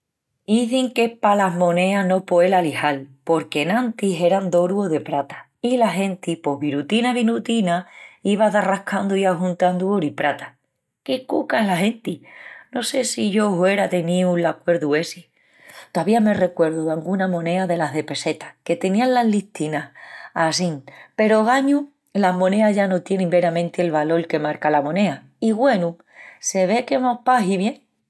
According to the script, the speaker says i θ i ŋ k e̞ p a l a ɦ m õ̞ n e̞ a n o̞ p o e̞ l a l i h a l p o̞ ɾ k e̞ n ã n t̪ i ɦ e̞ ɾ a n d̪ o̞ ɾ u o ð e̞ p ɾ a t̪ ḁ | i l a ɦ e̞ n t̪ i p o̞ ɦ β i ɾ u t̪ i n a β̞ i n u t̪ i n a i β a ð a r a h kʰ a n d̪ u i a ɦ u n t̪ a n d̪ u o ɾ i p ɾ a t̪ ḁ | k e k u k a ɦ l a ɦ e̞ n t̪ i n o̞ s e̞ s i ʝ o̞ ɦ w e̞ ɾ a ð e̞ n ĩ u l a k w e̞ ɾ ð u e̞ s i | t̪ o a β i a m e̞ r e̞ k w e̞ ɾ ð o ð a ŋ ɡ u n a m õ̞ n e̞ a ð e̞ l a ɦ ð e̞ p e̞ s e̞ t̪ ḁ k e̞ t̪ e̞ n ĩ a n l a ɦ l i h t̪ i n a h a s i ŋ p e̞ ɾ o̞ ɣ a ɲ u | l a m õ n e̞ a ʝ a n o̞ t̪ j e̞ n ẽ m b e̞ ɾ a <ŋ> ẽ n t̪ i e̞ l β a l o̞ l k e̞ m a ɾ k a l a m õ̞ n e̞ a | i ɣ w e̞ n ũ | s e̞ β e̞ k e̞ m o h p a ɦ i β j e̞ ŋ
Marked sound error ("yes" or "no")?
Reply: yes